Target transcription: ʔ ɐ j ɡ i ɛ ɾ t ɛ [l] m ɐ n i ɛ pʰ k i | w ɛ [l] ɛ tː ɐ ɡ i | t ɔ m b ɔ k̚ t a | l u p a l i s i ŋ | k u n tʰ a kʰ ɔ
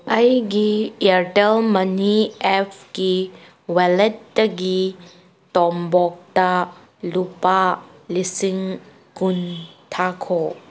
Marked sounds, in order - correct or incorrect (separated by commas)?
correct, correct